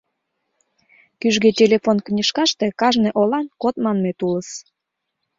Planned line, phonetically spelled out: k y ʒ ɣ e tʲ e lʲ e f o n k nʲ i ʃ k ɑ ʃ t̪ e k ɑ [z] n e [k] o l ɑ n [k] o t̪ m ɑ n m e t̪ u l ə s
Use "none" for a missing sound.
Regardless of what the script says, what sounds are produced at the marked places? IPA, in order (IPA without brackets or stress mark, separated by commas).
ʒ, ʔ, k